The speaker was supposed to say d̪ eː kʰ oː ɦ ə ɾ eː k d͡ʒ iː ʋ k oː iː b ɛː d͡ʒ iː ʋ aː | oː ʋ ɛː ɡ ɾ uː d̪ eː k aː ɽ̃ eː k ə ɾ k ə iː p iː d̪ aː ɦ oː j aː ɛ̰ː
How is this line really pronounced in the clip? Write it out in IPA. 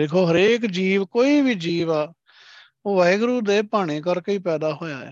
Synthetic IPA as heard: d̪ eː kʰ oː ɦ ə ɾ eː k d͡ʒ iː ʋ k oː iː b iː d͡ʒ iː ʋ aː | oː ʋ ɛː ɡ ɾ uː d̪ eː p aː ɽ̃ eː k ə ɾ k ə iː p ɛː d̪ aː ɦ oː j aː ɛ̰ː